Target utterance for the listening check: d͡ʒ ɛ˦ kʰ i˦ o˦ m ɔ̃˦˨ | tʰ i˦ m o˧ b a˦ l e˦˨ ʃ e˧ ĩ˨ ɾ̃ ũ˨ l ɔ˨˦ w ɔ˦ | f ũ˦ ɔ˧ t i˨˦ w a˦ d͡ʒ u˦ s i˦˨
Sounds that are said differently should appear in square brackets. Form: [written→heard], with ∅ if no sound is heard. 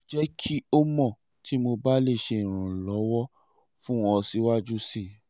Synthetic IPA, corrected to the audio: d͡ʒ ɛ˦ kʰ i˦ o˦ m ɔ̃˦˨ | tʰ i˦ m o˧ b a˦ l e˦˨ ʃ e˧ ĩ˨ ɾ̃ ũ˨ l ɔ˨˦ w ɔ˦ | f ũ˦ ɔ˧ [t→s] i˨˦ w a˦ d͡ʒ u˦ s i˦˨